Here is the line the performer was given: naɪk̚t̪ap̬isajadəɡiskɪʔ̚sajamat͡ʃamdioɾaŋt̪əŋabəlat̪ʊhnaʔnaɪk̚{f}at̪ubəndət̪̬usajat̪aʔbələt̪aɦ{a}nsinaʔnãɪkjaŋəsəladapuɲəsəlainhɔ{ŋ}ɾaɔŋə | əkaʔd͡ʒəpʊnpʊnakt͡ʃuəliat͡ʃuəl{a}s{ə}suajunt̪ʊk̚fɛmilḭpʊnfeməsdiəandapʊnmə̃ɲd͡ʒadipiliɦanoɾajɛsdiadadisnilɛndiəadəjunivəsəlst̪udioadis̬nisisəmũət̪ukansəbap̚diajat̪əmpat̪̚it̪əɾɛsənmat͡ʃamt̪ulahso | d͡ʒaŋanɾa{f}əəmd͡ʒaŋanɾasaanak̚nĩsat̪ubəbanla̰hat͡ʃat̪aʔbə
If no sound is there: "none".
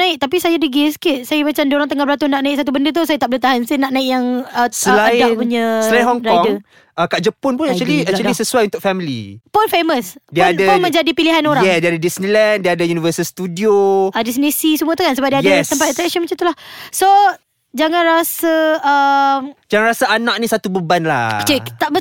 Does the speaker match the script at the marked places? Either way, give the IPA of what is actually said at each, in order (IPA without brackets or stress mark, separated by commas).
s, a, ŋ, i, ə, s